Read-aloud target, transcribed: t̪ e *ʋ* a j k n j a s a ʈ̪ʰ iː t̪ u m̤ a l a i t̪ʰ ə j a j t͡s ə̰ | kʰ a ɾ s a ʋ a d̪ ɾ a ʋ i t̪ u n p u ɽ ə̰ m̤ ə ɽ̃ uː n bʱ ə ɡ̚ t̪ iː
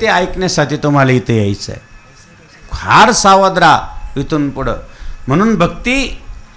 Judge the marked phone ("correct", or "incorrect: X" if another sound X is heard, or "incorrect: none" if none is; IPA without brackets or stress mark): incorrect: none